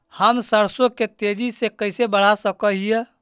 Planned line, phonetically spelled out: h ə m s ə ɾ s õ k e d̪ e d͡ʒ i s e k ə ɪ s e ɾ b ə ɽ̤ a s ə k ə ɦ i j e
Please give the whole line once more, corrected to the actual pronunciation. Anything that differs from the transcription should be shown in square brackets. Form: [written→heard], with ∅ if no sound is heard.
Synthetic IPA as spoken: h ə m s ə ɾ s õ k e [d̪→t̪] e d͡ʒ i s e k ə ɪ s e [ɾ→∅] b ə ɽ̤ a s ə k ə ɦ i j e